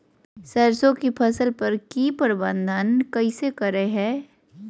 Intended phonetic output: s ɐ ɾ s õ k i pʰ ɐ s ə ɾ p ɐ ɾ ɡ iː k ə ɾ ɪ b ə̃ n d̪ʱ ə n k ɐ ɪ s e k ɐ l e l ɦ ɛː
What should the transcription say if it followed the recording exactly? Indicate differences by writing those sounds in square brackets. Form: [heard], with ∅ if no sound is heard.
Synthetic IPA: s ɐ ɾ s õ k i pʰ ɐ s ə [l] p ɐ ɾ [k] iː [p] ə ɾ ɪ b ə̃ n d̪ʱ ə n k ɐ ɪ s e k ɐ [ɾ] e [∅] ɦ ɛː